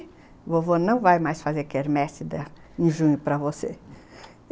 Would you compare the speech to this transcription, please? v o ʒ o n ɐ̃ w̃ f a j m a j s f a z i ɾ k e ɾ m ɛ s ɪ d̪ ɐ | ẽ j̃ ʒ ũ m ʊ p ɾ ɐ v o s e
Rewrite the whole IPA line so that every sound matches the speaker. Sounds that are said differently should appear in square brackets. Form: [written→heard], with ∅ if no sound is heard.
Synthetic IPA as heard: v o [ʒ→v] o n ɐ̃ w̃ [f→v] a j m a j s f a z [i→e] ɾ k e ɾ m ɛ s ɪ d̪ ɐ | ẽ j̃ ʒ ũ [m→ɲ] ʊ p ɾ ɐ v o s e

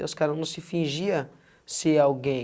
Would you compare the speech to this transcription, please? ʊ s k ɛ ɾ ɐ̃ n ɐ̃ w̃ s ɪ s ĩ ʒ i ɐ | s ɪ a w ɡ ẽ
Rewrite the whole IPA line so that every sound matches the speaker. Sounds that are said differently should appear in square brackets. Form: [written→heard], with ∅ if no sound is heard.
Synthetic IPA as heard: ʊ s k [ɛ→a] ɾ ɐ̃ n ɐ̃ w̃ s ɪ [s→f] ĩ ʒ i ɐ | s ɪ a w ɡ ẽ

